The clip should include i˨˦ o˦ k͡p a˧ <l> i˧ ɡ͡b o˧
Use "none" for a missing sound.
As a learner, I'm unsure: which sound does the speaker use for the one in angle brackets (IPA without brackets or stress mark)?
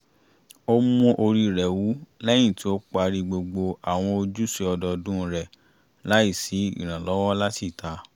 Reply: ɾ